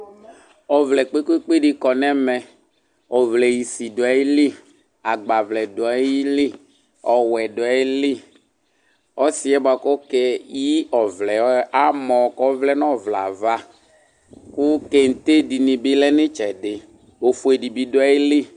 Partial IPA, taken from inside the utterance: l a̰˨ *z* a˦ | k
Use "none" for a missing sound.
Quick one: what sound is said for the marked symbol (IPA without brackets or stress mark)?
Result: v